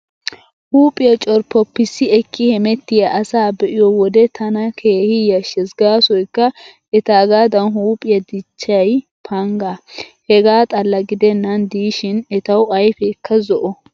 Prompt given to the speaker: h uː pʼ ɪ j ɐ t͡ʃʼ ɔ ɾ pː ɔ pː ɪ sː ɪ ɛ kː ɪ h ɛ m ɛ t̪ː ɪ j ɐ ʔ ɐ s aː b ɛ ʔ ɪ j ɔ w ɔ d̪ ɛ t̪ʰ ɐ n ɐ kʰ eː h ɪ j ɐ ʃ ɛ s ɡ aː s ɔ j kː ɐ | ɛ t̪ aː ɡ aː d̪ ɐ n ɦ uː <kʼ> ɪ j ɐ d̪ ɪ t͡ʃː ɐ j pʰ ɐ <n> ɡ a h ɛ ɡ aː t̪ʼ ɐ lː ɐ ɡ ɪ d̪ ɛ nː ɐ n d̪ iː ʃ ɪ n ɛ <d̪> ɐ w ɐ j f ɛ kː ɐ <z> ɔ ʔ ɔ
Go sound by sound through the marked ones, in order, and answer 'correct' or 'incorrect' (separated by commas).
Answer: incorrect, incorrect, incorrect, correct